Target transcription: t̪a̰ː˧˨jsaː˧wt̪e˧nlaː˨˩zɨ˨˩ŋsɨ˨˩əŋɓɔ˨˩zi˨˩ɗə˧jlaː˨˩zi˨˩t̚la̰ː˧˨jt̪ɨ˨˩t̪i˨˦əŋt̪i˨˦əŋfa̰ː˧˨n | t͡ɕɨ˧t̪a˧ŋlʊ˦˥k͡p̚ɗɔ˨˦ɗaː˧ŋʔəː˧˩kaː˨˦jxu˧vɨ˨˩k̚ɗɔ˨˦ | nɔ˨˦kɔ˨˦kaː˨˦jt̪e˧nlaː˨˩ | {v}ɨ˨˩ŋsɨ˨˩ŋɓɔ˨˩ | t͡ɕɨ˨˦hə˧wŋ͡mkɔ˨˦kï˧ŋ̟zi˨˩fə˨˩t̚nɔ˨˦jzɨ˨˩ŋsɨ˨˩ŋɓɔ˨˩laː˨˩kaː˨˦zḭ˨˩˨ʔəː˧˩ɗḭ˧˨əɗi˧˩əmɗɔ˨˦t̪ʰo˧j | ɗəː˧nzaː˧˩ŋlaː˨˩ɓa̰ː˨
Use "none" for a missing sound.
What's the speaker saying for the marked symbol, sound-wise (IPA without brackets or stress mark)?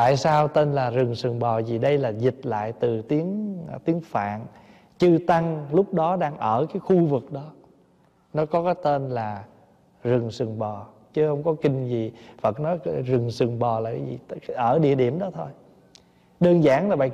z